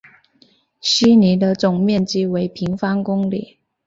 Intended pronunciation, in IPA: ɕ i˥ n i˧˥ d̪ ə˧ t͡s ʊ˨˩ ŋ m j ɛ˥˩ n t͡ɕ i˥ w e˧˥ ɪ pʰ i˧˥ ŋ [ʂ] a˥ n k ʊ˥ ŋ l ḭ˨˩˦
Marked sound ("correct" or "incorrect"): incorrect